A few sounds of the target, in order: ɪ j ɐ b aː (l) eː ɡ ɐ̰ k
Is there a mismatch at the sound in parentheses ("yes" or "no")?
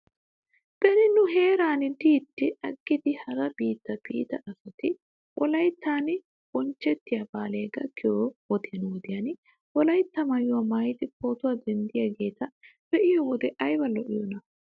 no